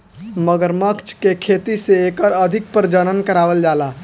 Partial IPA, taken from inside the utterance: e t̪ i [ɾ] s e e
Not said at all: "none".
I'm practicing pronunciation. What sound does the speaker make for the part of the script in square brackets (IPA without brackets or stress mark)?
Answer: none